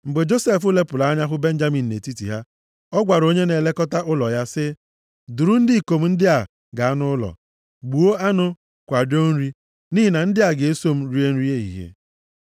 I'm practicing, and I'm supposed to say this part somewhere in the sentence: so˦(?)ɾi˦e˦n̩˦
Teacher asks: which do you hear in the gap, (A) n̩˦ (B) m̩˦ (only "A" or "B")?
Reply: B